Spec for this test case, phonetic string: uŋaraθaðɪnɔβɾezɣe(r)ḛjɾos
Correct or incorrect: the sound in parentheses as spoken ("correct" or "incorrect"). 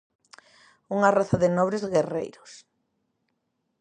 correct